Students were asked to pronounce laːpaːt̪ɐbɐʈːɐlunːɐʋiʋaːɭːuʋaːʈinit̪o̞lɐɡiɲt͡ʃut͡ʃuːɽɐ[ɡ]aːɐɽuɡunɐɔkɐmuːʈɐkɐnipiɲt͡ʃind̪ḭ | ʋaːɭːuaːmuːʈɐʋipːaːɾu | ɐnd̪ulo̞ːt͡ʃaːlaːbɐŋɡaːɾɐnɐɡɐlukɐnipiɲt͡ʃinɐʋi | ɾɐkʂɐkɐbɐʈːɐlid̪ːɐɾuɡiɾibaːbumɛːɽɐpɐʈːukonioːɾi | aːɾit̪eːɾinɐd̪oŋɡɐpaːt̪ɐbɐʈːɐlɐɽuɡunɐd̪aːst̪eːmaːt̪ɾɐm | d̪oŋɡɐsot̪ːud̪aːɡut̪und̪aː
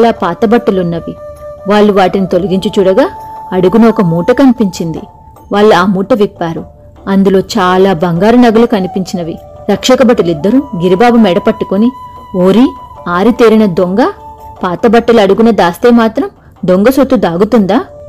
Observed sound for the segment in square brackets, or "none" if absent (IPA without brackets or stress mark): ɡ